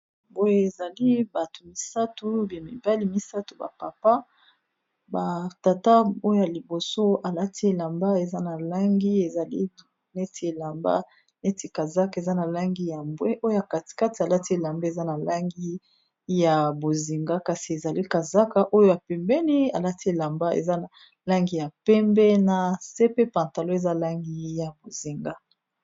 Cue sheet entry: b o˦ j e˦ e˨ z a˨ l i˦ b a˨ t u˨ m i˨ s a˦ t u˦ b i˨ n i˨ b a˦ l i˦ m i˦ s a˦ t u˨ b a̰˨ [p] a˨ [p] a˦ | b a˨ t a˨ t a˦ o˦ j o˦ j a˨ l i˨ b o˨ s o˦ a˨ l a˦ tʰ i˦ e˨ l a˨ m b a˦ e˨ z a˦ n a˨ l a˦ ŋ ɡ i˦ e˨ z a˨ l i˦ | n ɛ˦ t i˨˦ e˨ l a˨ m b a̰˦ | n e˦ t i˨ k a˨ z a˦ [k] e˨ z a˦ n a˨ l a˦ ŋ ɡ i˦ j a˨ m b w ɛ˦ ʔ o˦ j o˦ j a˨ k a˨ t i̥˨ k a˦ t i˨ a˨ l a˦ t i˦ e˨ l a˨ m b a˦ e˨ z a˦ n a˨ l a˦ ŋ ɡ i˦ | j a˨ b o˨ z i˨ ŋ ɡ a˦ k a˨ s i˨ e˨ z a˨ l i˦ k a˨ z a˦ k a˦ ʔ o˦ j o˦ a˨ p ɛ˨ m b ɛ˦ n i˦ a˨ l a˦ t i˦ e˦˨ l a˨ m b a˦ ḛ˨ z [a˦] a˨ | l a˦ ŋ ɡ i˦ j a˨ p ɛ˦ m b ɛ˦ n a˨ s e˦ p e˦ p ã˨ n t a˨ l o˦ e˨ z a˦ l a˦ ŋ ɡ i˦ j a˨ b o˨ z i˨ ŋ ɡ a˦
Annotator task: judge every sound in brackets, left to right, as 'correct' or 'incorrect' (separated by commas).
correct, correct, correct, correct